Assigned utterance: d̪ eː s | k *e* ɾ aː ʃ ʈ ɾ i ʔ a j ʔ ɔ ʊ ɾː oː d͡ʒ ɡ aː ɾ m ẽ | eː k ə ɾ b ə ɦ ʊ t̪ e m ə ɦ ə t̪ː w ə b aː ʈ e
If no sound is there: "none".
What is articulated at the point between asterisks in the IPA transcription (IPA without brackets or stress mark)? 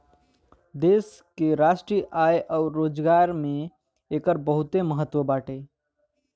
e